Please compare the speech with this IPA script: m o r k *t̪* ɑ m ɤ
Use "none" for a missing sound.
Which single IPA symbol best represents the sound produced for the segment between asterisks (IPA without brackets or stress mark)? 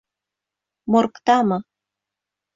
t̪